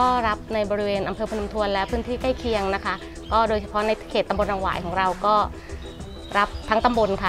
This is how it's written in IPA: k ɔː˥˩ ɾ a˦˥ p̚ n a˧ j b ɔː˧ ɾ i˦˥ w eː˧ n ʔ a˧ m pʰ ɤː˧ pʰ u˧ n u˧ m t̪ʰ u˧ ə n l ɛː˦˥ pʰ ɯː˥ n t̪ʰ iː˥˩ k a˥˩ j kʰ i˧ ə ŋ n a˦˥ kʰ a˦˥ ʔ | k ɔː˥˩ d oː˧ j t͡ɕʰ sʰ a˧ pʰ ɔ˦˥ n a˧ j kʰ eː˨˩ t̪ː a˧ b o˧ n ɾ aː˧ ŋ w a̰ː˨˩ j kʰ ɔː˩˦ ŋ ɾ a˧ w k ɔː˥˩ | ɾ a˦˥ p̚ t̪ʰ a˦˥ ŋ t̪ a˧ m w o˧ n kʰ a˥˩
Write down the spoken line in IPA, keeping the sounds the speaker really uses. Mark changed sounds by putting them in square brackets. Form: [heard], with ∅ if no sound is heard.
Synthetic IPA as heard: k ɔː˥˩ ɾ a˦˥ p̚ n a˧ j b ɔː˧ ɾ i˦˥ w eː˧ n ʔ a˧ m pʰ ɤː˧ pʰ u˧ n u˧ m t̪ʰ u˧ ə n l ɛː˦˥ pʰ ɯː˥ n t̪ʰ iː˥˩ k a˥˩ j kʰ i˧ ə ŋ n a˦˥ kʰ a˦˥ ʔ | k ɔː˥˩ d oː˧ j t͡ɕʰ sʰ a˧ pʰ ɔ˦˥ n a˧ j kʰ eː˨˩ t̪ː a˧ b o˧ n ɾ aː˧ ŋ w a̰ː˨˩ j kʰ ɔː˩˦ ŋ ɾ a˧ w k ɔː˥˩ | ɾ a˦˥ p̚ t̪ʰ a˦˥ ŋ t̪ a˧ m [b] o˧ n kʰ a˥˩